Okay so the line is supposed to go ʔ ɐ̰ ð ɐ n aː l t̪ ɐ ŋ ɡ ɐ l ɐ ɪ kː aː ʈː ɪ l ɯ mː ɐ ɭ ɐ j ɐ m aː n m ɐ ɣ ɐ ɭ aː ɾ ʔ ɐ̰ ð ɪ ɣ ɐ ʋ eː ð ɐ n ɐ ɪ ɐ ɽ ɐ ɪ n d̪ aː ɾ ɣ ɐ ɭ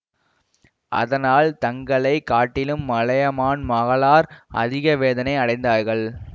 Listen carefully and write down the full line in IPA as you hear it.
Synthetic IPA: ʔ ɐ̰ ð ɐ n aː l t̪ ɐ ŋ ɡ ɐ ɭ ɐ ɪ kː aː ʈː ɪ l ɯ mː ɐ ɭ ɐ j ɐ m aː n m ɐ ɣ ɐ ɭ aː ɾ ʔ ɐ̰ ð ɪ ɣ ɐ ʋ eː ð ɐ n ɐ ɪ ɐ ɽ ɐ ɪ n d̪ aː ɾ ɣ ɐ ɭ